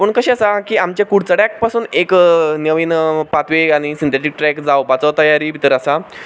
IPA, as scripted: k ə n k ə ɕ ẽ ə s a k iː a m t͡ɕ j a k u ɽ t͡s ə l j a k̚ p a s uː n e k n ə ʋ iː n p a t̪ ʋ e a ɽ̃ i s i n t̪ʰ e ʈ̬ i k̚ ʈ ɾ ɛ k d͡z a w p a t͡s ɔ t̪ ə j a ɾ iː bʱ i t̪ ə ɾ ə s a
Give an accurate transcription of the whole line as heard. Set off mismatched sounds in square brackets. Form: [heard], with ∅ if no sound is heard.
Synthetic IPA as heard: [p] ə [ɳ] k ə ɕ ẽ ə s a k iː a m t͡ɕ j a k u ɽ t͡s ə [ɽ] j a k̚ p a s uː n e k n ə ʋ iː n p a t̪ ʋ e a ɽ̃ i s i n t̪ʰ e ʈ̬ i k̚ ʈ ɾ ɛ k d͡z a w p a t͡s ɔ t̪ ə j a ɾ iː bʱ i t̪ ə ɾ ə s a